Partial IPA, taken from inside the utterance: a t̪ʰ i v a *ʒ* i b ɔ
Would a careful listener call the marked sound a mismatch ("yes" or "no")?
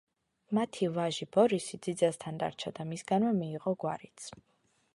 no